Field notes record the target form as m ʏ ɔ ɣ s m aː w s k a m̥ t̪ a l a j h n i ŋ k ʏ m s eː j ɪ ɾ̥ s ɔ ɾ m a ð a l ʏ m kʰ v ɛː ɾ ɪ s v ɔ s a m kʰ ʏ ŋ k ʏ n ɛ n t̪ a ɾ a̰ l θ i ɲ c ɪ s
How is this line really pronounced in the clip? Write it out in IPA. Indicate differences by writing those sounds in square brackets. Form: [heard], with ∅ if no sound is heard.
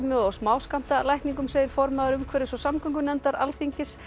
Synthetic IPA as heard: m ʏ ɔ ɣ s m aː w s k a m̥ t̪ a l a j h n i ŋ k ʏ m s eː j ɪ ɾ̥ [f] ɔ ɾ m a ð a [ɾ] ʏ m kʰ v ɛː ɾ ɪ s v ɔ s a m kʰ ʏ ŋ k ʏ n ɛ n t̪ a ɾ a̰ l θ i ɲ c ɪ s